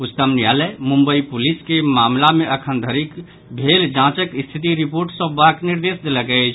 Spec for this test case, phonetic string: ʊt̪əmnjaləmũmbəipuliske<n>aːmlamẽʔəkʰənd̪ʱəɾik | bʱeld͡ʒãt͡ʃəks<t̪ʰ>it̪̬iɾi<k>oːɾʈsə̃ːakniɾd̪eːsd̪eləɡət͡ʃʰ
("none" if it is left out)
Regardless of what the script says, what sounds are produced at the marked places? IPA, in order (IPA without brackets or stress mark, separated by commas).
m, t̪ʰ, p